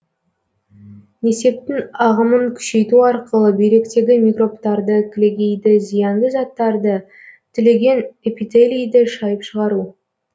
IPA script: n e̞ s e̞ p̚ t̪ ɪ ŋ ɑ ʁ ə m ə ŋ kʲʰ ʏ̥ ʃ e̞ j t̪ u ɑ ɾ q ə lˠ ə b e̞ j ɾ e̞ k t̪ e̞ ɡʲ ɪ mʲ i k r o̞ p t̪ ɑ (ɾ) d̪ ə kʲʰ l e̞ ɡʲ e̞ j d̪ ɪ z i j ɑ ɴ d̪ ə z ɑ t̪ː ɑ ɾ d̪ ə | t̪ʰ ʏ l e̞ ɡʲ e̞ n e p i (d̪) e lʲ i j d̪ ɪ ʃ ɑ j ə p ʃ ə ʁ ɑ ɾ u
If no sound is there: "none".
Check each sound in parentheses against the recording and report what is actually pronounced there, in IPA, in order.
ɾ, t̪

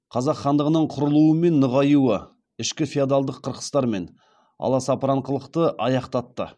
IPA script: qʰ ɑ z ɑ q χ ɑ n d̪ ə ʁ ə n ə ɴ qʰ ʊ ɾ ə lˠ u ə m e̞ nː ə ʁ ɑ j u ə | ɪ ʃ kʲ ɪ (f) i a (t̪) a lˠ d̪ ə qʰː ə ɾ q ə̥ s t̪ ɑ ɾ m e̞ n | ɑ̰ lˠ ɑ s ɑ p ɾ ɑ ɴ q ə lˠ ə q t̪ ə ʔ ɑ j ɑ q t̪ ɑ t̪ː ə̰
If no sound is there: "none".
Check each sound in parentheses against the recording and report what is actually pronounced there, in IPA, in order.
f, d̪

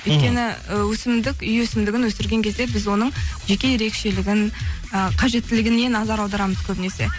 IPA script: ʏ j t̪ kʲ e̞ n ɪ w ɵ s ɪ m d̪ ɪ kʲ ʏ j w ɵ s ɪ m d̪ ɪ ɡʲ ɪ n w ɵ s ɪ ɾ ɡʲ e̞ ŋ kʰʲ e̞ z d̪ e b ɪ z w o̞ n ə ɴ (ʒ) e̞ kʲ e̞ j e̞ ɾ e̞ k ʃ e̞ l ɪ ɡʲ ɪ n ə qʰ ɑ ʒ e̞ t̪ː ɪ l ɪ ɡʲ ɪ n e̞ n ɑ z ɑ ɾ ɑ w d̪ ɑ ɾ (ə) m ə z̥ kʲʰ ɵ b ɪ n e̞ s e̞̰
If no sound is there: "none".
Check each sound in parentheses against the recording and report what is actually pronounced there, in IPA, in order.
ʒ, ɑ

